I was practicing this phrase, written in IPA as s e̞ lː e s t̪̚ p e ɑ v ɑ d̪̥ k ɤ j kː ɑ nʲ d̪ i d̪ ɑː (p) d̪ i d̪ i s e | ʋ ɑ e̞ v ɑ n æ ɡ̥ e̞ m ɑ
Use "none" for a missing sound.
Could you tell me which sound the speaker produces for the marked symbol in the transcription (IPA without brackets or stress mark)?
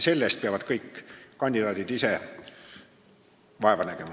none